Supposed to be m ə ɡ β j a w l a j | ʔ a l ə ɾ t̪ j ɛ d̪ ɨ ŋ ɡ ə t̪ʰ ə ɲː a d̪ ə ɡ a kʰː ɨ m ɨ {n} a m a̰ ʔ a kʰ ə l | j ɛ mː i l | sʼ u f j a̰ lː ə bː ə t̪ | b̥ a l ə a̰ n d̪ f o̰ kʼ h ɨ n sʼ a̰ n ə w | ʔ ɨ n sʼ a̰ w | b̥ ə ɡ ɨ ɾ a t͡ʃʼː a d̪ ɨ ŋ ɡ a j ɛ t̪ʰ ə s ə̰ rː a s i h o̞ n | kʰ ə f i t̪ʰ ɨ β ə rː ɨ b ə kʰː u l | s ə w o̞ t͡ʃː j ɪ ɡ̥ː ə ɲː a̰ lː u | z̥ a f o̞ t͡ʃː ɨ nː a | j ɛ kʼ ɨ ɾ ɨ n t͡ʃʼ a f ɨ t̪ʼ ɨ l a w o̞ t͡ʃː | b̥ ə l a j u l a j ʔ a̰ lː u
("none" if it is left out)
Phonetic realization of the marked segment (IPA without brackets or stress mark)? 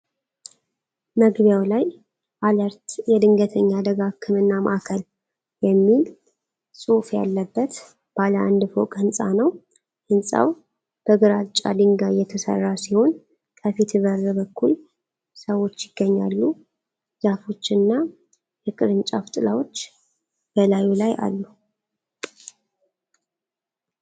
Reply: nː